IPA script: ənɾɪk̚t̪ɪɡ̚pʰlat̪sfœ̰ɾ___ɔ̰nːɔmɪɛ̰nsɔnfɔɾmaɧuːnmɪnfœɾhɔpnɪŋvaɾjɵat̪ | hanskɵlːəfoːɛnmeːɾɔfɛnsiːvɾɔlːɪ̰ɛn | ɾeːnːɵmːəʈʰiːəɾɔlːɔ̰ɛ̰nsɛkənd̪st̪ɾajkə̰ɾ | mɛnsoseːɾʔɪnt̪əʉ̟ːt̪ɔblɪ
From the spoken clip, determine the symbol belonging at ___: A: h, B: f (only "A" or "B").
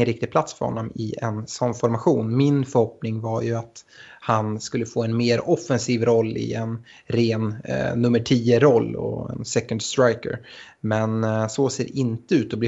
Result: A